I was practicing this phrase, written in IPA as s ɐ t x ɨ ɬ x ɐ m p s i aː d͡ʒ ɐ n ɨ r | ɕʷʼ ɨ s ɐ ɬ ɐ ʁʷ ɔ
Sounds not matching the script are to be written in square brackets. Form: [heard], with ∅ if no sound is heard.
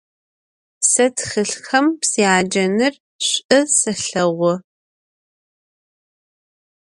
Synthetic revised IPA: s ɐ t x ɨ ɬ x ɐ m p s i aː d͡ʒ ɐ n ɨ r | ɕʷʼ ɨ s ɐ ɬ ɐ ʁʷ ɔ